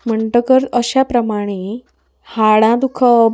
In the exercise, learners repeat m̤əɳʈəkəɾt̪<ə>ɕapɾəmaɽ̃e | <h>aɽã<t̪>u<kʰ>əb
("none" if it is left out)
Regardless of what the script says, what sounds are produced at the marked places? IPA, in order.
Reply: ə, h, d̪, kʰ

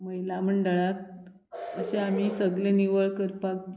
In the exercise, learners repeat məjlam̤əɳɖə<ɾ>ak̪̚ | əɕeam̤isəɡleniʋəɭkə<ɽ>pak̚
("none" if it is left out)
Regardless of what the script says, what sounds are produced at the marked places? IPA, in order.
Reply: ɭ, ɾ

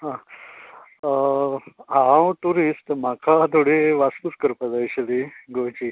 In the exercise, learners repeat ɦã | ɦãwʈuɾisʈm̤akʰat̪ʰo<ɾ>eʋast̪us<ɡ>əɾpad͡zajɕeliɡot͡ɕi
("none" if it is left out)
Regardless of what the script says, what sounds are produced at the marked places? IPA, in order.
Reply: ɽ, k

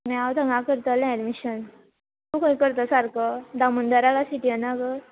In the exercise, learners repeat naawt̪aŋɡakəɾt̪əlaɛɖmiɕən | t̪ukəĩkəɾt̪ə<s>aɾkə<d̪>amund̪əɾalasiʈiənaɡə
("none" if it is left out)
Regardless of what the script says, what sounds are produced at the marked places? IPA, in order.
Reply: s, d̪

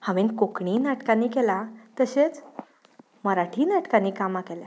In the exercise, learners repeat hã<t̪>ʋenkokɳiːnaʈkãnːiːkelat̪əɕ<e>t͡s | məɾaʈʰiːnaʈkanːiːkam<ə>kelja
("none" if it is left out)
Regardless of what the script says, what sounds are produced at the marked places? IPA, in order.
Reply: none, e, a

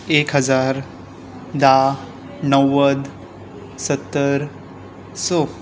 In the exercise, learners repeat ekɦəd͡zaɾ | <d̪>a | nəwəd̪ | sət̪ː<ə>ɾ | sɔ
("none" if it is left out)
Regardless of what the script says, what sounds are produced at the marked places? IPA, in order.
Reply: d̪, ə

